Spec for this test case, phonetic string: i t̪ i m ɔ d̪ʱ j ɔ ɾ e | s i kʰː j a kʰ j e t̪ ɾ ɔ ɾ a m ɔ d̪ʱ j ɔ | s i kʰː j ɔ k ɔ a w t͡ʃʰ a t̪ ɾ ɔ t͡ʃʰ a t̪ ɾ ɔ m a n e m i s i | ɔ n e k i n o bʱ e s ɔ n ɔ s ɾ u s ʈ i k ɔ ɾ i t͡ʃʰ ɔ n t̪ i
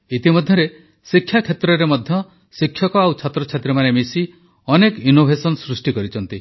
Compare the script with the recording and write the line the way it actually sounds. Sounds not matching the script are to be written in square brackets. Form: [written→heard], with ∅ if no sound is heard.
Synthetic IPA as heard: i t̪ i m ɔ d̪ʱ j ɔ ɾ e | s i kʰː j a kʰ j e t̪ ɾ ɔ ɾ [a→e] m ɔ d̪ʱ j ɔ | s i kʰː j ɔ k ɔ a w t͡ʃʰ a t̪ ɾ ɔ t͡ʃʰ a t̪ ɾ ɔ m a n e m i s i | ɔ n e k i n o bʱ e s ɔ n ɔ s ɾ u s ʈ i k ɔ ɾ i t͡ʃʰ ɔ n t̪ i